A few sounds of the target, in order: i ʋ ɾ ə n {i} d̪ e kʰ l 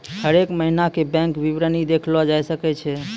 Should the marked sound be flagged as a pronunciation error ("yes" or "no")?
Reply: no